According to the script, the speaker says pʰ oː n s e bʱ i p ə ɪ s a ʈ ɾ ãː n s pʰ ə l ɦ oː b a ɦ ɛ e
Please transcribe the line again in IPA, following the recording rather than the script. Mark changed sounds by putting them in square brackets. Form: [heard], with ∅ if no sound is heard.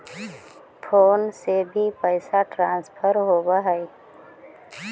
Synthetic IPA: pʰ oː n s e bʱ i p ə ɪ s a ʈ ɾ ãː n s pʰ ə [ɾ] ɦ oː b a ɦ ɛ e